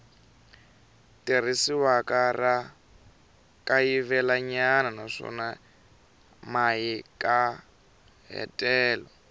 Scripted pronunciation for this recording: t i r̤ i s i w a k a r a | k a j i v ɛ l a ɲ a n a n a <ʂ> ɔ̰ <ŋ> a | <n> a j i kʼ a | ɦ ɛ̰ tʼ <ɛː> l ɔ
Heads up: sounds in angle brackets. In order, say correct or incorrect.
correct, incorrect: n, incorrect: m, correct

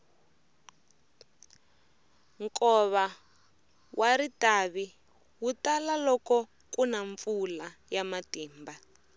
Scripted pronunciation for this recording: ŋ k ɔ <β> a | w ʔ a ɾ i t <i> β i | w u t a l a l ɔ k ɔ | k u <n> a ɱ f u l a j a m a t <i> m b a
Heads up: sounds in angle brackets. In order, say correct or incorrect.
correct, incorrect: a, correct, incorrect: iː

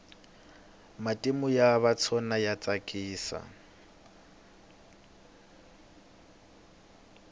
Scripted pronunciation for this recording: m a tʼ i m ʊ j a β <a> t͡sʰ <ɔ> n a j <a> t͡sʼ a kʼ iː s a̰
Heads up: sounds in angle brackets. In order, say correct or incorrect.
correct, correct, correct

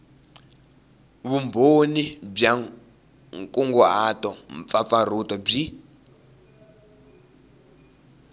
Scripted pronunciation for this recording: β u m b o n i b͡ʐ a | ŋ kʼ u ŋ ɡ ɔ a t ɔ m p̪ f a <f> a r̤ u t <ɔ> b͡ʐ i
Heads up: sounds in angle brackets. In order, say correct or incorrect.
correct, correct

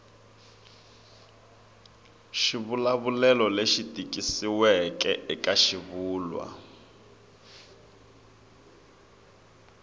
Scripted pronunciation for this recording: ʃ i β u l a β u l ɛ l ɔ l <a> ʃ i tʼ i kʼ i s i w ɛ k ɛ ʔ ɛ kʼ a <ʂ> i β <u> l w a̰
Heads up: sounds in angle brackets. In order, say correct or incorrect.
incorrect: e, incorrect: ʃ, incorrect: uː

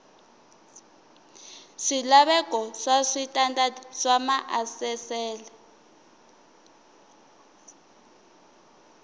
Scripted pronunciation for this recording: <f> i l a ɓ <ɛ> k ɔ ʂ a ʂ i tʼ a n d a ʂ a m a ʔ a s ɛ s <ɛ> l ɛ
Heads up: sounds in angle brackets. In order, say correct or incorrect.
incorrect: ʂ, correct, incorrect: ɛː

